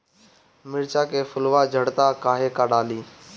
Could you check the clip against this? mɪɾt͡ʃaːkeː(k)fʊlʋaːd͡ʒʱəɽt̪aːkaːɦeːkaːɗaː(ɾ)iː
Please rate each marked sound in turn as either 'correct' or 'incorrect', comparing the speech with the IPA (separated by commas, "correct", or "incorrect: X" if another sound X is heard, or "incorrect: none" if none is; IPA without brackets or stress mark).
incorrect: none, incorrect: l